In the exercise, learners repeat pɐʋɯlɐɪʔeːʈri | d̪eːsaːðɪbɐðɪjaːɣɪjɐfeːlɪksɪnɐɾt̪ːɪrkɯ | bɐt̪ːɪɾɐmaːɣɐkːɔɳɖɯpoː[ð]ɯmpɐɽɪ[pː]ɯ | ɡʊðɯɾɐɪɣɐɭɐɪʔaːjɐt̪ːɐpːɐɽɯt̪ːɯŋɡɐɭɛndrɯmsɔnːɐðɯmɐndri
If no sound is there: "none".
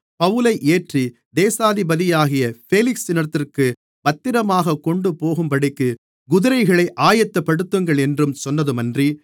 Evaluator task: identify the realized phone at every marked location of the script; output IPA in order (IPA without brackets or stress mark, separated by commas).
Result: ɣ, kː